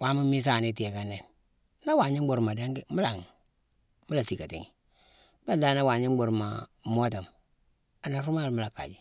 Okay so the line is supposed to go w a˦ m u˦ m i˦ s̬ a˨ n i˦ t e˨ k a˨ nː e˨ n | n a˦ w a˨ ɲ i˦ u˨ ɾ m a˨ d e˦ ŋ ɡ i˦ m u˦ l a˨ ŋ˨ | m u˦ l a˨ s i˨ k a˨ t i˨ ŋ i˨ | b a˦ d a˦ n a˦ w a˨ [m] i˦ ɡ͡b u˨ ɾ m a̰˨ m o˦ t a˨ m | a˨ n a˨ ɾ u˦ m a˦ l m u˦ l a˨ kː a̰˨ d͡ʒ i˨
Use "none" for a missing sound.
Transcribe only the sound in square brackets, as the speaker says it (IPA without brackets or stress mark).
ɲ